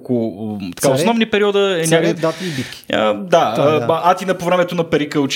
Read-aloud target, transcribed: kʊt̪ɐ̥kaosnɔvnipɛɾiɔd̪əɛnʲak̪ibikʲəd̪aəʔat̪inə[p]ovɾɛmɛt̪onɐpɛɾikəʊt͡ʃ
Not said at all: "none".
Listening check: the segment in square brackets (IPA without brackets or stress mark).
p